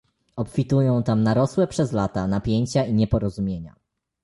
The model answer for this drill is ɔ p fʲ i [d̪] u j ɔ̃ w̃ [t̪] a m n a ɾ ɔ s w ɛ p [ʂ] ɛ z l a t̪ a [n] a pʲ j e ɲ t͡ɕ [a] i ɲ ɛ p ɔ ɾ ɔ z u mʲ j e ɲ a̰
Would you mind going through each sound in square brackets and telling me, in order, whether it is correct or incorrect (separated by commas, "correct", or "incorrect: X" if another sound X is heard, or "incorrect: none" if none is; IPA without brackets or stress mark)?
incorrect: t̪, correct, correct, correct, correct